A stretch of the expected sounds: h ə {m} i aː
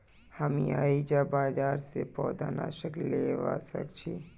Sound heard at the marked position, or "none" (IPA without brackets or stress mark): m